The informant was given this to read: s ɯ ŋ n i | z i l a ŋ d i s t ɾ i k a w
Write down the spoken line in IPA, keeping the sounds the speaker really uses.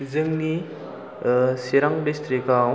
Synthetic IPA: z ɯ ŋ n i | s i ɾ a ŋ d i s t ɾ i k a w